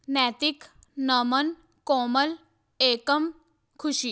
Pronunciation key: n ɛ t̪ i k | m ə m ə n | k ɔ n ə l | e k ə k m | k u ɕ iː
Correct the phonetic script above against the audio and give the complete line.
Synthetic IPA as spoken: n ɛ t̪ i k | n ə m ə n | k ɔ m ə l | e k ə m | kʰ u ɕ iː